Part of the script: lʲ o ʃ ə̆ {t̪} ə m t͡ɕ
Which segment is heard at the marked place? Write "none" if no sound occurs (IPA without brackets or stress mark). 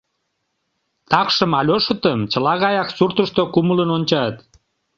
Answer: t̪